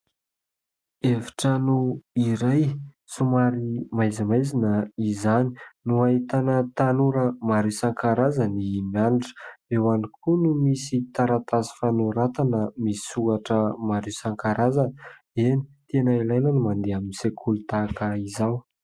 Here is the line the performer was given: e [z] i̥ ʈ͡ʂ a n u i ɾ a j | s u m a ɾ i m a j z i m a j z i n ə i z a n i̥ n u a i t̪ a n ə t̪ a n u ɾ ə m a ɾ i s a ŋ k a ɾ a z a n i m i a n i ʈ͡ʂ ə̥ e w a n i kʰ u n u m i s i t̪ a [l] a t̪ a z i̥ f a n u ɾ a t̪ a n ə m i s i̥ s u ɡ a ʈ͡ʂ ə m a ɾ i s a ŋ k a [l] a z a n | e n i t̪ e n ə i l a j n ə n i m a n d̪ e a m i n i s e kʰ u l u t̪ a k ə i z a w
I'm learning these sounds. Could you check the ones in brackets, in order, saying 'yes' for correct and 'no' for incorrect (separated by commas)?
no, no, no